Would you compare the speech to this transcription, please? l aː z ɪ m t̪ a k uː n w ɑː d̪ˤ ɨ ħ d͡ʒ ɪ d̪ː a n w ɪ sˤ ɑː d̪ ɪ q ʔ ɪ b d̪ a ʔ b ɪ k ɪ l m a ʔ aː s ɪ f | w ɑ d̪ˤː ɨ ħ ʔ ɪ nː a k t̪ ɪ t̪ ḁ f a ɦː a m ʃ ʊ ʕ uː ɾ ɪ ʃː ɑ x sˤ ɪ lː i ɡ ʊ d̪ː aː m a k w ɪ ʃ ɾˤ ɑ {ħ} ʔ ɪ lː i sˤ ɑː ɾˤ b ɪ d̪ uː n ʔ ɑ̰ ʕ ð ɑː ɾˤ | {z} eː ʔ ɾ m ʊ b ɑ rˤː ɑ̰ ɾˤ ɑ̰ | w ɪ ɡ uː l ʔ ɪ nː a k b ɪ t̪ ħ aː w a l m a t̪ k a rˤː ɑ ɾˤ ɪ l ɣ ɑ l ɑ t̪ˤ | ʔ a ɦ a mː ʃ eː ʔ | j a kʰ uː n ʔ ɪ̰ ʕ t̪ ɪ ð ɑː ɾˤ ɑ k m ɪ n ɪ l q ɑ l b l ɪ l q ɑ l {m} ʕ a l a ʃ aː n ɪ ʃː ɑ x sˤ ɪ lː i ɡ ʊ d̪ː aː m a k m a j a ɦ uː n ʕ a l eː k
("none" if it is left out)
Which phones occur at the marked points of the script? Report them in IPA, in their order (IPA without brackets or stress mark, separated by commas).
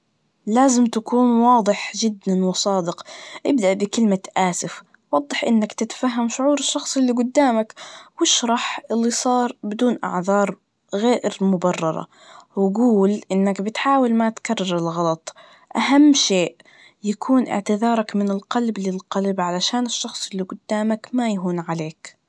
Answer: ħ, ɣ, b